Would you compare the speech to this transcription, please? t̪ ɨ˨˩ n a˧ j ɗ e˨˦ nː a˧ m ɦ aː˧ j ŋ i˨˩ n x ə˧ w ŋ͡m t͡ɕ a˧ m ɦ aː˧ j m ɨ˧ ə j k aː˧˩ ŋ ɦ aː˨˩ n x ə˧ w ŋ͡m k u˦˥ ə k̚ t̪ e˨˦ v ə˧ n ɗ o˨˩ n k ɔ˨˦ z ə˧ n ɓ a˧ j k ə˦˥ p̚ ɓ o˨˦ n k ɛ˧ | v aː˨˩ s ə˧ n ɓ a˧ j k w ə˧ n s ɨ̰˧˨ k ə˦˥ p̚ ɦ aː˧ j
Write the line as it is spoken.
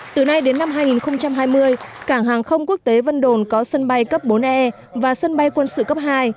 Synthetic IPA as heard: t̪ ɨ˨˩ n a˧ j ɗ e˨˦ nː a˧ m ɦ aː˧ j ŋ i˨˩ n x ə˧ w ŋ͡m t͡ɕ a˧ m ɦ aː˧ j m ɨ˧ ə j k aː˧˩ ŋ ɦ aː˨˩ ŋ x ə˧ w ŋ͡m k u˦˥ ə k̚ t̪ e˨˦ v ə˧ n ɗ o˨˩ n k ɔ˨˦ s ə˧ n ɓ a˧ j k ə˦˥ p̚ ɓ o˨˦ n ʔ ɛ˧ | v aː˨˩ s ə˧ n ɓ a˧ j k w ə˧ n s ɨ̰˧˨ k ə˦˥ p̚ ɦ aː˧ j